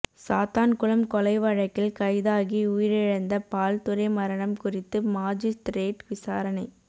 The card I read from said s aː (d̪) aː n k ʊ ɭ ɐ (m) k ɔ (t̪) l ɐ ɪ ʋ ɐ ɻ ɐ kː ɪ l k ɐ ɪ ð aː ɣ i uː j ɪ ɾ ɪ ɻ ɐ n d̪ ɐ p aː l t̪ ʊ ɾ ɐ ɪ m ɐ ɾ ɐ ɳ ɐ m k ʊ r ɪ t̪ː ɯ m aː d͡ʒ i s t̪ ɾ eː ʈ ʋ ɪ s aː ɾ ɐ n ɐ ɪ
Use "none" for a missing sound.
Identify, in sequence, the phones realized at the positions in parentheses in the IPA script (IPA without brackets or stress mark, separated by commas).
t̪, m, none